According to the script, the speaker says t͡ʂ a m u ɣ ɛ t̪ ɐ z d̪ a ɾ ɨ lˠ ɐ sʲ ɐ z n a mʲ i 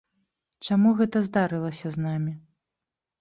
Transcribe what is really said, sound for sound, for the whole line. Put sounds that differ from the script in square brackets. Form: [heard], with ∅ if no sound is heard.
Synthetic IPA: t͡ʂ a m u ɣ ɛ t̪ ɐ z d̪ a ɾ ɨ lˠ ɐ sʲ ɐ z n a mʲ i